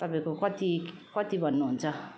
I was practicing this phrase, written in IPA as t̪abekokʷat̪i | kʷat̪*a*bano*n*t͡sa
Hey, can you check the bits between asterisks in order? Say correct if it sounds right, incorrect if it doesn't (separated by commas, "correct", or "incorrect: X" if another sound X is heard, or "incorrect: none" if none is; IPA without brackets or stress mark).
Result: incorrect: i, correct